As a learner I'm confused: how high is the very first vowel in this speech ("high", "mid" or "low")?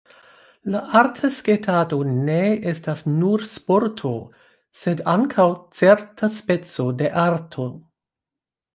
low